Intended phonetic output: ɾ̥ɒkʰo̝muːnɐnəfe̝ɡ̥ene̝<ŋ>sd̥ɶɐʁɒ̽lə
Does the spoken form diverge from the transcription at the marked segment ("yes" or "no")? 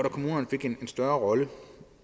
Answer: yes